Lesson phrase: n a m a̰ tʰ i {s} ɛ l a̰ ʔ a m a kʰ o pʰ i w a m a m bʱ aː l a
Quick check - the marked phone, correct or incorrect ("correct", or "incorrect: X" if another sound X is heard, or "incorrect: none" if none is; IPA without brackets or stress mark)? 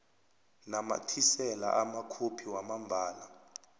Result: correct